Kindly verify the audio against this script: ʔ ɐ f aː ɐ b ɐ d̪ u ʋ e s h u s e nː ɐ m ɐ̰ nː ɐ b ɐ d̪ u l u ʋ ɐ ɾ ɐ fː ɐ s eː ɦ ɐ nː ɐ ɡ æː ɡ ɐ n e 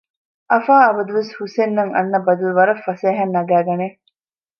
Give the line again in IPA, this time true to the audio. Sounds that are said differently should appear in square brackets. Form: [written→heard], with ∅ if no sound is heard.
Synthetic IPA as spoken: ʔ ɐ f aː ɐ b ɐ d̪ u ʋ e s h u s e nː ɐ [m→ŋ] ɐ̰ nː ɐ b ɐ d̪ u l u ʋ ɐ ɾ ɐ fː ɐ s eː ɦ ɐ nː ɐ ɡ æː ɡ ɐ n e